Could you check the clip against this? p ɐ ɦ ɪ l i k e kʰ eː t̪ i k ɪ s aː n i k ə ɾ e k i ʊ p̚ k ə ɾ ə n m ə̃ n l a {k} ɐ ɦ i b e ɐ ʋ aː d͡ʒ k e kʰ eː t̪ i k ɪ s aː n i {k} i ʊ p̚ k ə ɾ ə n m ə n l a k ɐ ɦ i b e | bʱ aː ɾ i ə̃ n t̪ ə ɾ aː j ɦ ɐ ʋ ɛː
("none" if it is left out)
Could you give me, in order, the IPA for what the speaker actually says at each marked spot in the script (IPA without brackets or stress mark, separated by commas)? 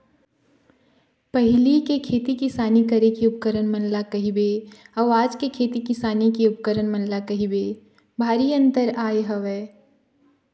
k, k